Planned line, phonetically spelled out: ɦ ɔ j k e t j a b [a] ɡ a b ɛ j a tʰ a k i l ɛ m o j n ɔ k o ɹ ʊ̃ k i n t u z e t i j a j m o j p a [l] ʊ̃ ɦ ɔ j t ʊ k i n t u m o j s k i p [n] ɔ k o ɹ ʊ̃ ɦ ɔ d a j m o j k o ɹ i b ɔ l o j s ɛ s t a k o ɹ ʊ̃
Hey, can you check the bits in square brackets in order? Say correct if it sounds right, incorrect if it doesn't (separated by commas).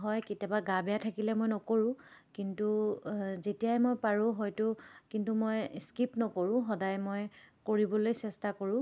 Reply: correct, incorrect, correct